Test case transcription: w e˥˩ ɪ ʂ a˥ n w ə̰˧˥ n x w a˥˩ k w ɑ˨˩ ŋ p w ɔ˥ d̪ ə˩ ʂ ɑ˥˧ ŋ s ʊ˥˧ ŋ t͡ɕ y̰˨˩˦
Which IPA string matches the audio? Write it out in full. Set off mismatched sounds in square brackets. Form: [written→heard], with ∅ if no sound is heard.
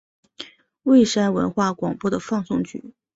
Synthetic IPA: w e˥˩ ɪ ʂ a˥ n w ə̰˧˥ n x w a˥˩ k w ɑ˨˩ ŋ p w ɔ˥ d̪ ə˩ [ʂ→f] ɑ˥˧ ŋ s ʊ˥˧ ŋ t͡ɕ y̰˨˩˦